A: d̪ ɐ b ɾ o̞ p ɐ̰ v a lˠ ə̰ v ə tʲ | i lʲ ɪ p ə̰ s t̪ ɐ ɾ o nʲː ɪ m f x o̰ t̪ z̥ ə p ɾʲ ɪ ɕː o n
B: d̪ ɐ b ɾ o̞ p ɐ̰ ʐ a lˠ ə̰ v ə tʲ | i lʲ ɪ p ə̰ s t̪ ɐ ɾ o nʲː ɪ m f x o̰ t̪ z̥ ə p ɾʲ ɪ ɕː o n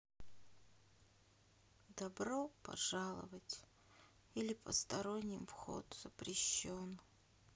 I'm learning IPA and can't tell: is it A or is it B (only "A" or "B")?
B